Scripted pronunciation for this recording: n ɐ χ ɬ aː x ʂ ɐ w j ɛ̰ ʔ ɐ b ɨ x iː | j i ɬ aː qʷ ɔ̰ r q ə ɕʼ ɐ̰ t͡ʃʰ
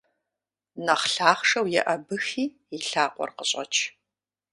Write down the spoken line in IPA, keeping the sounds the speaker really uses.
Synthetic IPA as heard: n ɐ χ ɬ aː χ ʂ ɐ w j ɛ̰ ʔ ɐ b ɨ x iː | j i ɬ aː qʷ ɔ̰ r q ə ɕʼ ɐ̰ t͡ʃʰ